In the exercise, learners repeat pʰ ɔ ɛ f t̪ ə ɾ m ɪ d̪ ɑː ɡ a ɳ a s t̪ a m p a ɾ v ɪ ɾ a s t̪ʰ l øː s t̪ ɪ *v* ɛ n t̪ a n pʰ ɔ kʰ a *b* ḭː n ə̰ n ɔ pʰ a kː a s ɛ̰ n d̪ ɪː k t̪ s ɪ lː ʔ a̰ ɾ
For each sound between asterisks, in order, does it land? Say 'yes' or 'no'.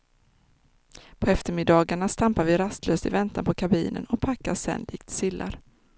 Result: yes, yes

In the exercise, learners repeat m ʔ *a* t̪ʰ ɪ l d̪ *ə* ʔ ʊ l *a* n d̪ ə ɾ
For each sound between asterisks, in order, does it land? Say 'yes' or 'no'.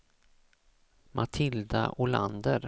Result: yes, no, yes

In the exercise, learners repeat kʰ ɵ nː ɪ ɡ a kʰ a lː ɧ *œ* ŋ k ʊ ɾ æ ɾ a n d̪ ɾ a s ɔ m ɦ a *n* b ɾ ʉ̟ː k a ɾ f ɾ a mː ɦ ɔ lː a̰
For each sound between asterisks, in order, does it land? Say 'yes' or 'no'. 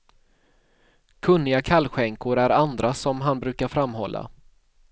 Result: no, yes

